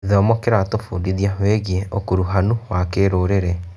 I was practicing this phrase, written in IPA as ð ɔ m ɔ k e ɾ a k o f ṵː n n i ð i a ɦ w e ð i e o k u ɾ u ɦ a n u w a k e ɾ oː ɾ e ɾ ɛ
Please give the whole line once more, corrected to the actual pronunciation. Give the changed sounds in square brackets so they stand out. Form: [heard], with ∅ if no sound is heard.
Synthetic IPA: ð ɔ m ɔ k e ɾ a [t] o f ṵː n [d] i ð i a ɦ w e [ɣ] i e o k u ɾ u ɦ a n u w a k e ɾ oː ɾ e ɾ ɛ

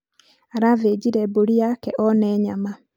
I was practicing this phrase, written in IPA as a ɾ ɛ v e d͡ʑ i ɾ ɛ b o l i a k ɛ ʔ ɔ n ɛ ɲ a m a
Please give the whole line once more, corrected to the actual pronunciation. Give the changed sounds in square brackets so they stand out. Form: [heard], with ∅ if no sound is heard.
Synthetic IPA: a ɾ [a] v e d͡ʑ i ɾ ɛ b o [ɾ] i a k ɛ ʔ ɔ n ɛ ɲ a m a

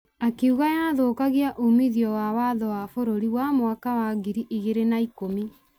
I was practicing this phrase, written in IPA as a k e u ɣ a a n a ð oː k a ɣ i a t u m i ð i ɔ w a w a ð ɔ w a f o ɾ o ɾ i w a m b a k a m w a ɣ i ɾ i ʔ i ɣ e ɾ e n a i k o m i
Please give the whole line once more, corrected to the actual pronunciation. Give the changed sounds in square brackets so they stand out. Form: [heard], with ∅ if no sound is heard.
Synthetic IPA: a k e u ɣ a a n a ð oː k a ɣ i a [ʔ] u m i ð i ɔ w a w a ð ɔ w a f o ɾ o ɾ i w a m [w] a k a [∅] w a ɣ i ɾ i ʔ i ɣ e ɾ e n a i k o m i

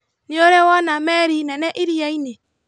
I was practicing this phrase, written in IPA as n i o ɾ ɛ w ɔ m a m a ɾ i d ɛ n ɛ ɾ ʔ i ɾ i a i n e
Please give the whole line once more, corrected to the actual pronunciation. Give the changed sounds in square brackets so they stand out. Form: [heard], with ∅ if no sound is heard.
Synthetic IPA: n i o ɾ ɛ w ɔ [n] a m [ɛ] ɾ i [n] ɛ n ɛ [∅] ʔ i ɾ i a i n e

